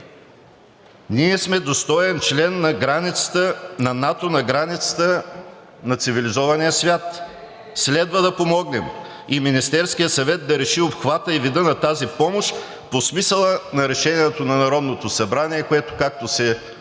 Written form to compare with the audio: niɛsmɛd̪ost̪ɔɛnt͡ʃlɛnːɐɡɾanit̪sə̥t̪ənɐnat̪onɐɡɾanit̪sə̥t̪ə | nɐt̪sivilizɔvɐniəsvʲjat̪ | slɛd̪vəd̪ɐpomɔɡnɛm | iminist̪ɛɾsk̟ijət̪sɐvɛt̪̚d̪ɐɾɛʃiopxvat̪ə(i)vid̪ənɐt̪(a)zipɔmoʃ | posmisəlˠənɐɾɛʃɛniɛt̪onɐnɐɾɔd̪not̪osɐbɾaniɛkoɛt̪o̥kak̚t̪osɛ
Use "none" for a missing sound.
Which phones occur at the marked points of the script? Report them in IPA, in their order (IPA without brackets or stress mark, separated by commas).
i, a